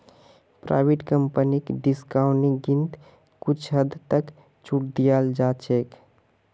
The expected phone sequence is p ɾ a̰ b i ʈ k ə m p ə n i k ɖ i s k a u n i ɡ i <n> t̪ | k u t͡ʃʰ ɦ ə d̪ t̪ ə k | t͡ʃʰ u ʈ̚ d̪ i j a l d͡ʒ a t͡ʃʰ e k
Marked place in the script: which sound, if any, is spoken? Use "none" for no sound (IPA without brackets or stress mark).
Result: n